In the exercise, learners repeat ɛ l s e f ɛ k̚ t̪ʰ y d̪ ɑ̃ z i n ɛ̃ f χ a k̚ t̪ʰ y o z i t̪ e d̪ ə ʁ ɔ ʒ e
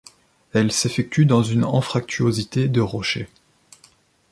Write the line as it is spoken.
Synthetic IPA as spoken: ɛ l s e f ɛ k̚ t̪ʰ y d̪ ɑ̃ z y n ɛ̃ f χ a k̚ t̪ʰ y o z i t̪ e d̪ ə ʁ ɔ ʃ e